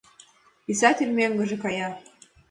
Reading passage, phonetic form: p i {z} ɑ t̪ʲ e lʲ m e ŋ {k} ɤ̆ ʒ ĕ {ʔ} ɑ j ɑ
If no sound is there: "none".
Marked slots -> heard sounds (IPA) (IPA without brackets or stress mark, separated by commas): s, ɡ, k